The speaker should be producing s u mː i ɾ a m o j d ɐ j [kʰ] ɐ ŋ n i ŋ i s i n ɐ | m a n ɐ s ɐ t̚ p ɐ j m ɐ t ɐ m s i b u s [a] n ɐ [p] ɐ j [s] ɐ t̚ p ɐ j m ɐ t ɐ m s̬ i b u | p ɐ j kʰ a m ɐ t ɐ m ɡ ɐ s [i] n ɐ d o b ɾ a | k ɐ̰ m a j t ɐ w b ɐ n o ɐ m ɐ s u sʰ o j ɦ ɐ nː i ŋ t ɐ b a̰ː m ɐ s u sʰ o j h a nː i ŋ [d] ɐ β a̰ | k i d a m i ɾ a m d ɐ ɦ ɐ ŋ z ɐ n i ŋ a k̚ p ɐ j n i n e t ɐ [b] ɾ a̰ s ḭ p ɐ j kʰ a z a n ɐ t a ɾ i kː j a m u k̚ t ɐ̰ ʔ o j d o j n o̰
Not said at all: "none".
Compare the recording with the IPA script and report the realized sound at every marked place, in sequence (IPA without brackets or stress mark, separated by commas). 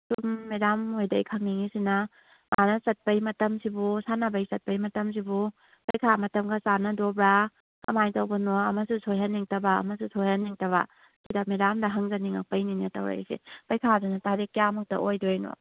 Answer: kʰ, a, b, s, a, t, w